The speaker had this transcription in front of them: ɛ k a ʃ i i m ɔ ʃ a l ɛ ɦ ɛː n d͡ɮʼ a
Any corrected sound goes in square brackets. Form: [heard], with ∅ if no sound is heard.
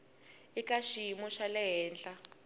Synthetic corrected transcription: [i] k a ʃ i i m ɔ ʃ a l ɛ ɦ ɛː n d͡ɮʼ a